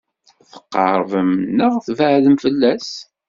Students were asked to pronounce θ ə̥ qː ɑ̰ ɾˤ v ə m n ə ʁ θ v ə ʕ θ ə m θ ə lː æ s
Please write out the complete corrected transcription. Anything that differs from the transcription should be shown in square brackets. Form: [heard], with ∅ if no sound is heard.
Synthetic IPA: θ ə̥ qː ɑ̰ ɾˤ v ə m n ə ʁ θ v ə ʕ [ð] ə m [f] ə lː æ s